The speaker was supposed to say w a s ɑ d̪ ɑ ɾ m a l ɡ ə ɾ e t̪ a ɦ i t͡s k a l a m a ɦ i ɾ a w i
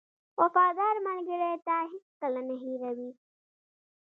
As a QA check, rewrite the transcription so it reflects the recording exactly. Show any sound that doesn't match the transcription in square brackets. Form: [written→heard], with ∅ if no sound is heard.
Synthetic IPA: w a [s→f] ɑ d̪ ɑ ɾ m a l ɡ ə ɾ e t̪ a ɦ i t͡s k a l a [m→n] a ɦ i ɾ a w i